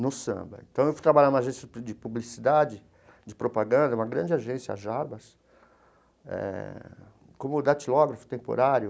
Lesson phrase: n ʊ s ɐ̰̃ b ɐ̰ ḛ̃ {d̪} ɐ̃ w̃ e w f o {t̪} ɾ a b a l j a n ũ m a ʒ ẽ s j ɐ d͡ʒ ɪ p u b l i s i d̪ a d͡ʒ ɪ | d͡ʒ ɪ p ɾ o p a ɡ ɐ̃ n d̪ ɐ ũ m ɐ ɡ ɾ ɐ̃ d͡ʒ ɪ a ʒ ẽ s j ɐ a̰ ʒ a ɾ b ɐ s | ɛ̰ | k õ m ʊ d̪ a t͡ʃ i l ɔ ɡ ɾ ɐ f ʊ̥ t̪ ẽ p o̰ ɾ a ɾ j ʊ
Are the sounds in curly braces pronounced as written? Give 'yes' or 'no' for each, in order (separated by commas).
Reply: no, yes